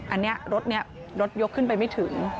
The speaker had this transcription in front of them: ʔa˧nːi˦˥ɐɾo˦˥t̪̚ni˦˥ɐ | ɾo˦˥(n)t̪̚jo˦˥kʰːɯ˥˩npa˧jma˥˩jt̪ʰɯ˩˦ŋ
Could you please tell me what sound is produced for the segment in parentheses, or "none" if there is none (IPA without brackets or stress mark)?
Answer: none